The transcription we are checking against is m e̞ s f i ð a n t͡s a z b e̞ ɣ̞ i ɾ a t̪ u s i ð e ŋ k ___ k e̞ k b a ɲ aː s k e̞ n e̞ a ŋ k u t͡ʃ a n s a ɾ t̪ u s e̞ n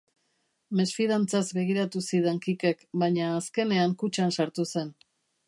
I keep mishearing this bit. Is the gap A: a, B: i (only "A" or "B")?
B